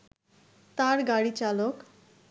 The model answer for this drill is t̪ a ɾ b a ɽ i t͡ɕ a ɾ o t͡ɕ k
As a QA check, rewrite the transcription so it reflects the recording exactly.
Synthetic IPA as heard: t̪ a ɾ ɡ a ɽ i t͡ɕ a l o k